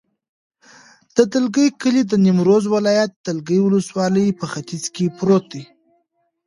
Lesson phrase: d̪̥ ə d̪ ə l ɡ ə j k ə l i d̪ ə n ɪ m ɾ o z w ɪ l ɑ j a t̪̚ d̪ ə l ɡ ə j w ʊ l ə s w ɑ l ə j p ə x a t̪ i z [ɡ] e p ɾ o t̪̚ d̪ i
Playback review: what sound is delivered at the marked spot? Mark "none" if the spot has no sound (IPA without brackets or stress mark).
k